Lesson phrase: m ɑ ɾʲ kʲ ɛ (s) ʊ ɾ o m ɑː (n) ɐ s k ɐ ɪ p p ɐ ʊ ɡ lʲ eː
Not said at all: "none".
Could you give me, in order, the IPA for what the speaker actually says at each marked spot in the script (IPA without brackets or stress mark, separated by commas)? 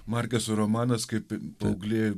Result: s, n